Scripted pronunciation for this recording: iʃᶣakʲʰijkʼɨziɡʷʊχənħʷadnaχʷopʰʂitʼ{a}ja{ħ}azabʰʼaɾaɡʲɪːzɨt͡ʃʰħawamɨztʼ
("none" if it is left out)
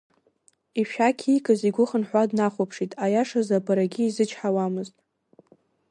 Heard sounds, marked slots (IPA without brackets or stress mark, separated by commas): a, ʂ